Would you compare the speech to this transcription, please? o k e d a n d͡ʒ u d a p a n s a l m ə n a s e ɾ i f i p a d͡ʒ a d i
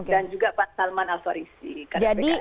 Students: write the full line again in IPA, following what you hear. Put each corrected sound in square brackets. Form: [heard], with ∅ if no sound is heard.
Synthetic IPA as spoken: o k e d a n d͡ʒ u [ɡ] a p a n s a l m [a] n a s [a] ɾ i [s] i [k] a d͡ʒ a d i